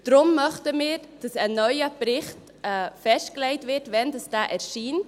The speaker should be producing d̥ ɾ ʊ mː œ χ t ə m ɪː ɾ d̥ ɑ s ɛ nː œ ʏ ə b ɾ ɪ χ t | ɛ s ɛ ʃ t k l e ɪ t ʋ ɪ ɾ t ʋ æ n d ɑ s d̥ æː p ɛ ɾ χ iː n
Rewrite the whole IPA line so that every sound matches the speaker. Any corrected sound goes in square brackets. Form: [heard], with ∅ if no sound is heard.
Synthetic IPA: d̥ ɾ ʊ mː œ χ t ə m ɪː ɾ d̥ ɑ s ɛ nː œ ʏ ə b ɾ ɪ χ t | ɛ [f] ɛ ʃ t k l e ɪ t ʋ ɪ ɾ t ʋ [ɛ] n d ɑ s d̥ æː [ʔ] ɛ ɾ [ʃ] iː n